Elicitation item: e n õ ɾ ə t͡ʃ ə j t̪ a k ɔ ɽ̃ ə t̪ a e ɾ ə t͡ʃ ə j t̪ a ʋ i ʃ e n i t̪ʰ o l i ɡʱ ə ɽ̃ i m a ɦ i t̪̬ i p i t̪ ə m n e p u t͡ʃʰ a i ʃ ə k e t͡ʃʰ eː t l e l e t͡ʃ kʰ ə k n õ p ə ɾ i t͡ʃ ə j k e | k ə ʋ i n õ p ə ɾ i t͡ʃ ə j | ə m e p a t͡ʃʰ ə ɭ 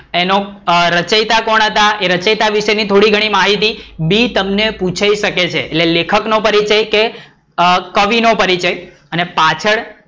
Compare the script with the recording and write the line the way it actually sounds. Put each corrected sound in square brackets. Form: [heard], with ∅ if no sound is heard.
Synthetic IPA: e n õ ɾ ə t͡ʃ ə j t̪ a k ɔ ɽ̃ ə t̪ a e ɾ ə t͡ʃ ə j t̪ a ʋ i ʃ e n i t̪ʰ o [ɽ] i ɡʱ ə ɽ̃ i m a ɦ i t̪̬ i [b] i t̪ ə m n e p u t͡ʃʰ a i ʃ ə k e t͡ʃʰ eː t l e l e [∅] kʰ ə k n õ p ə ɾ i t͡ʃ ə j k e | k ə ʋ i n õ p ə ɾ i t͡ʃ ə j | ə [n] e p a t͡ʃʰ ə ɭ